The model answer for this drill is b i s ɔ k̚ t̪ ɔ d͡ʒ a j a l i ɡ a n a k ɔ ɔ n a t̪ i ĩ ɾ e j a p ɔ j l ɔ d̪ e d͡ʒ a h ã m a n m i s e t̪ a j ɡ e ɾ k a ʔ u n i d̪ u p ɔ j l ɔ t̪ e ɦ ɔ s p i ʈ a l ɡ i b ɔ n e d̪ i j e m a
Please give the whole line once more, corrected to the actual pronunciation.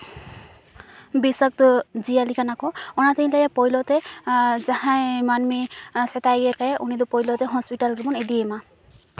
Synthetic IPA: b i s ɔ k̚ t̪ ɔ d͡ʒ i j a l i k a n a k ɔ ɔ n a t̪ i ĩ l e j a p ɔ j l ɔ t̪ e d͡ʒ a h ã m a n m i s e t̪ a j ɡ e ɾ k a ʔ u n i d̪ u p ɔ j l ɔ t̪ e ɦ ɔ s p i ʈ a l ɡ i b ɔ n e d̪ i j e m a